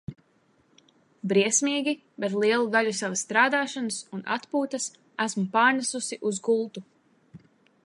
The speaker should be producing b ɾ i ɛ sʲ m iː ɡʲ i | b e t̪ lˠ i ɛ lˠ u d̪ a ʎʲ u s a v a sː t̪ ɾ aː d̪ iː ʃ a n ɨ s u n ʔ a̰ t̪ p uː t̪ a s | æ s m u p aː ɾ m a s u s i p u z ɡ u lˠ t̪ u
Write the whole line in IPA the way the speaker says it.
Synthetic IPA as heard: b ɾ i ɛ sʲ m iː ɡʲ i | b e t̪ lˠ i ɛ lˠ u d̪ a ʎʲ u s a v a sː t̪ ɾ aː d̪ aː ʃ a n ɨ s u n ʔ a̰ t̪ p uː t̪ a s | æ s m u p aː ɾ n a s u s i ʔ u z ɡ u lˠ t̪ u